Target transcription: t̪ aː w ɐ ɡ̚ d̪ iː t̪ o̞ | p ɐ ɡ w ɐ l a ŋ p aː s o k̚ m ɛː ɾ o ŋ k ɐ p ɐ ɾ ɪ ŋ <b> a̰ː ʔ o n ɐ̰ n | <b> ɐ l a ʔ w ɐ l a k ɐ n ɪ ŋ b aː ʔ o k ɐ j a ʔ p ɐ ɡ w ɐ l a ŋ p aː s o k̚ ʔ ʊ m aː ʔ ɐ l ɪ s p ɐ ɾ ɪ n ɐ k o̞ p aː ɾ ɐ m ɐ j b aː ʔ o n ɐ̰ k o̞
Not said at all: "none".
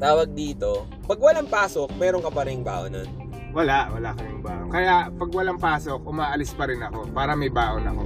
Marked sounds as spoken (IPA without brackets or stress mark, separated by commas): b, w